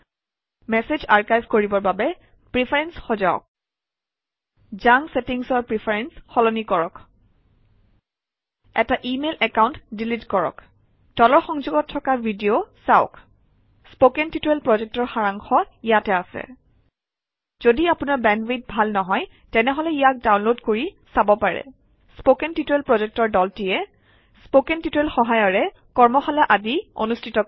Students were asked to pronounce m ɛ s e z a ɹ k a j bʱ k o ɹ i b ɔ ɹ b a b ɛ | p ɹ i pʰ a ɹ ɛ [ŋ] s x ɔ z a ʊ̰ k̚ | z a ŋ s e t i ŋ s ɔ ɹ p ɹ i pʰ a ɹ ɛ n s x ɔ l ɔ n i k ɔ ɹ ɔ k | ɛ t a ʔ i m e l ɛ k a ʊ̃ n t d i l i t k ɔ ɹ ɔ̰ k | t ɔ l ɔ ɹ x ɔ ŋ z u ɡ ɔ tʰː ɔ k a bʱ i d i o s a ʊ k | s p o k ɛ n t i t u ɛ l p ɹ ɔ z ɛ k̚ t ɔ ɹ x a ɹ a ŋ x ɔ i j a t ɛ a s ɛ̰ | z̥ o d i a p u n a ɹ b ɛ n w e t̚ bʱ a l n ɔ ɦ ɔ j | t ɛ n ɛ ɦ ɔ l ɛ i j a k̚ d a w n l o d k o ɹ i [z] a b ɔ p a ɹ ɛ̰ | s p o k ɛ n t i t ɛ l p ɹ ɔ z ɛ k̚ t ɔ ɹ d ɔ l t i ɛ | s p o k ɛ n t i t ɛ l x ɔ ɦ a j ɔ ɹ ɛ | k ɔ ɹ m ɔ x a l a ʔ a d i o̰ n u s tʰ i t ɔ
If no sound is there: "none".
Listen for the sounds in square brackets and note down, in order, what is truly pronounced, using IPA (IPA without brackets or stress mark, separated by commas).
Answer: n, s